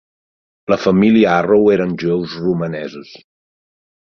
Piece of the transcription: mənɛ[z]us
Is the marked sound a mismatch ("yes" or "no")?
no